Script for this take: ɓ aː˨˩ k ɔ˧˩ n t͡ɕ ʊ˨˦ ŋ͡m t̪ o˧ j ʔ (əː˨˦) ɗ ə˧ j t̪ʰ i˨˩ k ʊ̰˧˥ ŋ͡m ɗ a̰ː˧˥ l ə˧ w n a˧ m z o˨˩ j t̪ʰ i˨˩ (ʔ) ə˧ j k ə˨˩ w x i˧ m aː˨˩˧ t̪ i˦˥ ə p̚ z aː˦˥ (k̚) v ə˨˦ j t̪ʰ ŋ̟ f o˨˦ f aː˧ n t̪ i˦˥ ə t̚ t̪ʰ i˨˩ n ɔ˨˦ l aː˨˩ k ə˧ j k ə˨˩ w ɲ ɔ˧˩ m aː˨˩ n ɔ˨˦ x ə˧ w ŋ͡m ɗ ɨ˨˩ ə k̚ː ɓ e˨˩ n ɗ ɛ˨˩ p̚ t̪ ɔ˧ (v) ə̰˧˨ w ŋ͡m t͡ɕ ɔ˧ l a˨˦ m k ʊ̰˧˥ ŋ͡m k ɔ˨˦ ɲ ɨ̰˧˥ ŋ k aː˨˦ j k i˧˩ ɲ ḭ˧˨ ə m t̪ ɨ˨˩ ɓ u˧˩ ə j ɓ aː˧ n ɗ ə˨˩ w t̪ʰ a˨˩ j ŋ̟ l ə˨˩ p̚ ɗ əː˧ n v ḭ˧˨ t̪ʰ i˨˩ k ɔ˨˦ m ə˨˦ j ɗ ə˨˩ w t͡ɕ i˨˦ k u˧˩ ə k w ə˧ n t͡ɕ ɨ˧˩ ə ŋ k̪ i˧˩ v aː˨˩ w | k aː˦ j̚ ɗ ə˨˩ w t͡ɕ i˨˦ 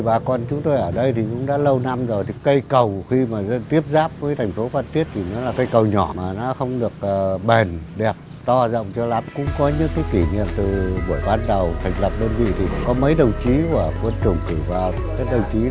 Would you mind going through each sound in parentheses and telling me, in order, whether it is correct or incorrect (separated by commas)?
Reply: incorrect, incorrect, incorrect, incorrect